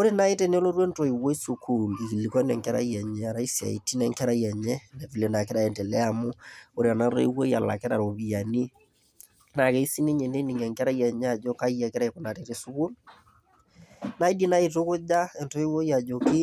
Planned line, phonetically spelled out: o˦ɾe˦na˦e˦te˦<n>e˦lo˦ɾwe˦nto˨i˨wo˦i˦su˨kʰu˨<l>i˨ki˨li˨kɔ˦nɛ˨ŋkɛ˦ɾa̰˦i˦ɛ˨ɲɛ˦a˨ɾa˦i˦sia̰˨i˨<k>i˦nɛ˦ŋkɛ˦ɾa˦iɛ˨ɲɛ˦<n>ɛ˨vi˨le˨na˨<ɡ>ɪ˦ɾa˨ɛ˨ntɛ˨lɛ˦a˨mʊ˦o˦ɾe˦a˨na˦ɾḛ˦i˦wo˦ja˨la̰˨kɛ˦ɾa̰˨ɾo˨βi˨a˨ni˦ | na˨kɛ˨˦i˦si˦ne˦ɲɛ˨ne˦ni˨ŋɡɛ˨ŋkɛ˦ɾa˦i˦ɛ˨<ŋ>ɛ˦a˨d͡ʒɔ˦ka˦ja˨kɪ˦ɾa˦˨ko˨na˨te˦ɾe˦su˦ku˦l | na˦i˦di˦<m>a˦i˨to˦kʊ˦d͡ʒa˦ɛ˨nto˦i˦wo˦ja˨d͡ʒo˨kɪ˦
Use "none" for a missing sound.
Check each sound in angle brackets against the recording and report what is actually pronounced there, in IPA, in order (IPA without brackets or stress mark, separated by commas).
n, l, t, n, k, ɲ, n